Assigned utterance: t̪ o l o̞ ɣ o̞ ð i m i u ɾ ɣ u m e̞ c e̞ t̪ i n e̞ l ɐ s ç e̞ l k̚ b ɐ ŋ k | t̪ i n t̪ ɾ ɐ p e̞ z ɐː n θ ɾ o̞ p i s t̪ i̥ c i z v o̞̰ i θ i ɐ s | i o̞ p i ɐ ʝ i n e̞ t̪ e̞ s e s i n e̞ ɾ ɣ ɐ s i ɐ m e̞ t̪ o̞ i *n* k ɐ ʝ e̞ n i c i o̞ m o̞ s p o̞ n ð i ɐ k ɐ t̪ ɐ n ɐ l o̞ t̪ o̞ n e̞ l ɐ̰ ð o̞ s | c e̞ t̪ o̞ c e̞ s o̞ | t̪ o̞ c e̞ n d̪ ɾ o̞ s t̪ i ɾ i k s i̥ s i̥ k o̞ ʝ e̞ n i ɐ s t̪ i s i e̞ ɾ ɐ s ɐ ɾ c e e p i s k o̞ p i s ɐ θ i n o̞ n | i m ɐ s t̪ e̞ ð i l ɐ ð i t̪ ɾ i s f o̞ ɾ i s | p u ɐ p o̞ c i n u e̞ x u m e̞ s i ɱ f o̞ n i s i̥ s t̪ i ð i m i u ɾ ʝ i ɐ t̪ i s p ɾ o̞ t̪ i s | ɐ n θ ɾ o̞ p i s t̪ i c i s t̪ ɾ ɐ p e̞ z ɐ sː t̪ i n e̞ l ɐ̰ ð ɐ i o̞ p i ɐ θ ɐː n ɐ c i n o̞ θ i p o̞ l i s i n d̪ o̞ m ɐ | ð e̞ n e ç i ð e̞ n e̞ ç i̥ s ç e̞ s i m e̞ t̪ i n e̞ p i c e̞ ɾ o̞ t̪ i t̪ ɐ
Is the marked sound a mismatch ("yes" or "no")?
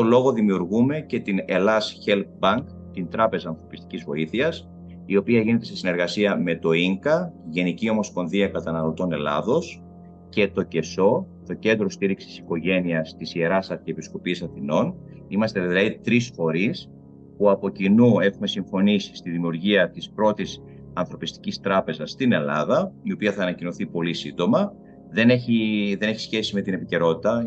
yes